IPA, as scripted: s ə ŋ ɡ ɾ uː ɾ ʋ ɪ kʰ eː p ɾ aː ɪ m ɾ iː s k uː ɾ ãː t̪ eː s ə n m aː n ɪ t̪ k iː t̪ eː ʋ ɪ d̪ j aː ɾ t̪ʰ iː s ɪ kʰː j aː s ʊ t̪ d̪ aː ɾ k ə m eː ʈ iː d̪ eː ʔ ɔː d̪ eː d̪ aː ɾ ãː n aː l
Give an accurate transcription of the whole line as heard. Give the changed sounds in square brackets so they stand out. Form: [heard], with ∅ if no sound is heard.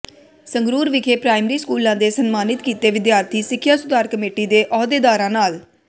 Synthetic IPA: s ə ŋ ɡ ɾ uː ɾ ʋ ɪ kʰ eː p ɾ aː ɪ m ɾ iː s k uː [l] ãː [d̪] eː s ə n m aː n ɪ t̪ k iː t̪ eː ʋ ɪ d̪ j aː ɾ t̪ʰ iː s ɪ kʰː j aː s ʊ [∅] d̪ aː ɾ k ə m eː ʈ iː d̪ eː ʔ ɔː d̪ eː d̪ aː ɾ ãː n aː l